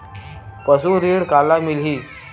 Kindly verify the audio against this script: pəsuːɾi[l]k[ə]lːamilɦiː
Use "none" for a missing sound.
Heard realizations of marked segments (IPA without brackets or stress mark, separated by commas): ɽ, a